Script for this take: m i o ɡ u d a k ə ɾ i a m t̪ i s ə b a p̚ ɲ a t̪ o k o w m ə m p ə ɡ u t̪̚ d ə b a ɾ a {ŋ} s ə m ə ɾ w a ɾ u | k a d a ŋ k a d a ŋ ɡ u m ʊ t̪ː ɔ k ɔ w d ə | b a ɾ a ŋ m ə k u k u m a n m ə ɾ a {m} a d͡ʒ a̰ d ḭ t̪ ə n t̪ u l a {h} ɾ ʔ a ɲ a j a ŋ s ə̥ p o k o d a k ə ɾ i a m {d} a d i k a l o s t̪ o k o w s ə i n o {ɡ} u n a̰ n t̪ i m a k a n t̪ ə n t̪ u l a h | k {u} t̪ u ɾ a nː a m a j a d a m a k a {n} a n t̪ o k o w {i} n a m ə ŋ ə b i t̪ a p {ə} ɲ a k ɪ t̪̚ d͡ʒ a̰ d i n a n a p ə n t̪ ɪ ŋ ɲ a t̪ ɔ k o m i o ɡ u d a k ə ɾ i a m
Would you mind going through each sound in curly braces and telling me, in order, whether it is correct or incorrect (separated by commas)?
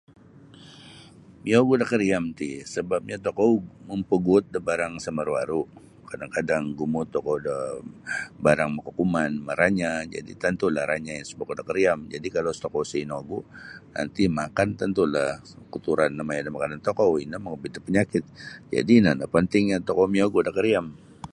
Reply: correct, incorrect, correct, incorrect, correct, correct, correct, correct, correct